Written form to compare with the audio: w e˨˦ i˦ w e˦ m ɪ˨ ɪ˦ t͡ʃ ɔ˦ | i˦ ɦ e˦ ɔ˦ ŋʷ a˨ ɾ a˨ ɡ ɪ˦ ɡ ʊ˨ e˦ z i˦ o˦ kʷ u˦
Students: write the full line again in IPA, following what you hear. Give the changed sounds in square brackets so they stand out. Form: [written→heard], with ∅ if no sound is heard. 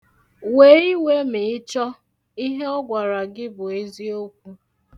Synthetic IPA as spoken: w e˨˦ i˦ w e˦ m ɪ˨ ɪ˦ t͡ʃ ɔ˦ | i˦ ɦ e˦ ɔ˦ [ŋʷ→ɡʷ] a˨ ɾ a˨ ɡ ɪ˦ [ɡ→b] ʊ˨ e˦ z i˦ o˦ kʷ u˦